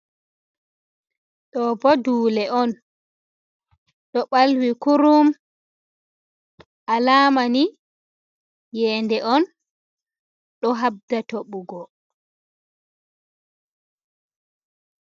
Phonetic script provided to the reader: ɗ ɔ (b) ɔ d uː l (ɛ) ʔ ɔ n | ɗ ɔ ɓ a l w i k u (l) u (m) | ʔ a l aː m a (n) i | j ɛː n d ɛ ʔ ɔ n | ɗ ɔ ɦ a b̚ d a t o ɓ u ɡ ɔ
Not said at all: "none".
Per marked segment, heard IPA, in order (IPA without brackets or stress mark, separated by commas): b, ɛ, ɾ, m, n